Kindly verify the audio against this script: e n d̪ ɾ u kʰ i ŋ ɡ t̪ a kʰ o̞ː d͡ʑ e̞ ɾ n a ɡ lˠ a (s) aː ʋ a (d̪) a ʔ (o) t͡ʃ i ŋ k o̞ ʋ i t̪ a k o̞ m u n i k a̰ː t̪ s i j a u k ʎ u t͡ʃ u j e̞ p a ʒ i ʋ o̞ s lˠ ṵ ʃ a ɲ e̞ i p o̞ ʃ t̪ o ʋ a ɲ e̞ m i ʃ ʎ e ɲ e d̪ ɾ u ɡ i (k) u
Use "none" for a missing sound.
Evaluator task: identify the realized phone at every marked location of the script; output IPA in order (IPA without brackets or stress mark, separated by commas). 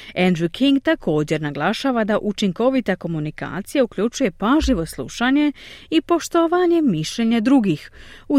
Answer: ʃ, d̪, u, x